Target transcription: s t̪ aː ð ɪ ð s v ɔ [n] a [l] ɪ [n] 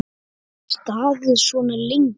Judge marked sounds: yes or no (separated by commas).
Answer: yes, yes, no